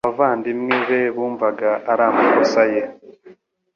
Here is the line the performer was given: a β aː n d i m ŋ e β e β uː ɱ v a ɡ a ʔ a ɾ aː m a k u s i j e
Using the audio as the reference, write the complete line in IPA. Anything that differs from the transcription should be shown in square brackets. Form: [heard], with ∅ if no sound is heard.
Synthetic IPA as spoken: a [v] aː n d i m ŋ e β e β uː ɱ v a ɡ a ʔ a ɾ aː m a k [o] s [a] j e